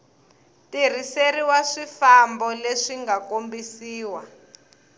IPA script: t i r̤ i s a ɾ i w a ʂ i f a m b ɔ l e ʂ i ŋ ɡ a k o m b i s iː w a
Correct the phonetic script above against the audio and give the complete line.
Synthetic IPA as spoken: t i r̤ i s e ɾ i w a ʂ i f a m b ɔ l e ʂ i ŋ ɡ a k o m b i s iː w a